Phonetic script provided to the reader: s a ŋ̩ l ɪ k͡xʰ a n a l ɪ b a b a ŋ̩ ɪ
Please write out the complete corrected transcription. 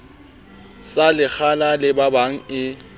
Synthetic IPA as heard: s a l ɪ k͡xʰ a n a l ɪ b a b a ŋ̩ ɪ